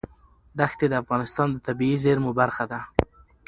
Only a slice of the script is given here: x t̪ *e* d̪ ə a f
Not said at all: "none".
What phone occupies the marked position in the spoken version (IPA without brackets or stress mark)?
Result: e